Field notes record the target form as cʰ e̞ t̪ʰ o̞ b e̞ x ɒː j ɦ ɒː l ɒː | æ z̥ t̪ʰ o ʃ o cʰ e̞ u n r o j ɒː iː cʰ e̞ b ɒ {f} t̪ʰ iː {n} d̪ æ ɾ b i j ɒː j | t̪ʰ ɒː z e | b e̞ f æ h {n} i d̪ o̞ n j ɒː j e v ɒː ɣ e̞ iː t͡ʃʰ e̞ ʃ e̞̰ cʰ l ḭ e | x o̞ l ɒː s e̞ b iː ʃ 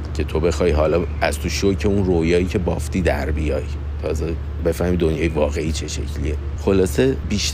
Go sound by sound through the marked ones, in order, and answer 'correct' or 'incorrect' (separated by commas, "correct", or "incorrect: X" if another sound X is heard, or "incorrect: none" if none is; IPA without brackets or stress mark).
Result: correct, incorrect: none, incorrect: m